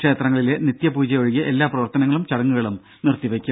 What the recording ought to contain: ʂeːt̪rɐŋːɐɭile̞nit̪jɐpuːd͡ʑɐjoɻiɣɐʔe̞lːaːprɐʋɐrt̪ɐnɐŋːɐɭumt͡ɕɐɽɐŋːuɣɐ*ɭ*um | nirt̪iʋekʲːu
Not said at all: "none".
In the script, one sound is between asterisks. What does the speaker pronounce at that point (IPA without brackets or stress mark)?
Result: ɭ